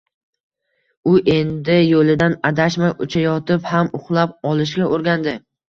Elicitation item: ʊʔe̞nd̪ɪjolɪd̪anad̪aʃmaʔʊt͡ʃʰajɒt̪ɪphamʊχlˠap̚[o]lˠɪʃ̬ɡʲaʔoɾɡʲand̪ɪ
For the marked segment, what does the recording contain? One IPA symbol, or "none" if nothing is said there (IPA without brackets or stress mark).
ɒ